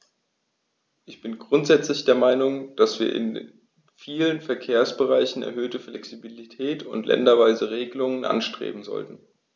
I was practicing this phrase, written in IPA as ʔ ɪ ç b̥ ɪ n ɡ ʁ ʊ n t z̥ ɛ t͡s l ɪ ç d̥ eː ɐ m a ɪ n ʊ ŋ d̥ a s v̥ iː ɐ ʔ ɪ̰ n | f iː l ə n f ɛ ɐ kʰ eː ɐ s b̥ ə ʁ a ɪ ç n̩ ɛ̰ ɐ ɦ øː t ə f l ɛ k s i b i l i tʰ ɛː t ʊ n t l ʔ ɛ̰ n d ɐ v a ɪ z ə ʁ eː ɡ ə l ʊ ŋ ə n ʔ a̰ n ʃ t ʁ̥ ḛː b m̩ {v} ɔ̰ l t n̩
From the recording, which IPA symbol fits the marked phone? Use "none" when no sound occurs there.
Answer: z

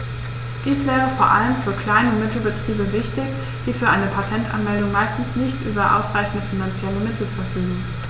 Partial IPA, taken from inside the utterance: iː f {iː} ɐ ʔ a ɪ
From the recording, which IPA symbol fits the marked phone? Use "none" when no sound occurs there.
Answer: yː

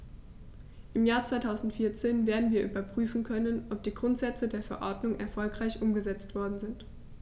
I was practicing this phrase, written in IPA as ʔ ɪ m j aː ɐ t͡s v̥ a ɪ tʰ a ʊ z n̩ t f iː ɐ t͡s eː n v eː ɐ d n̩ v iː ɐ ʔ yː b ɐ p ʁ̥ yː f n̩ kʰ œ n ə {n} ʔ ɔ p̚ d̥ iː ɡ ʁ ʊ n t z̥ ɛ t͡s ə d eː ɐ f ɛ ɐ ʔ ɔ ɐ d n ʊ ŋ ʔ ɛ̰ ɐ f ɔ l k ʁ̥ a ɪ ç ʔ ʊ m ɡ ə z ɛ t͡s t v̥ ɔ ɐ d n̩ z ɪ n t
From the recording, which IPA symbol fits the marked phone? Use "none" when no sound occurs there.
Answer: n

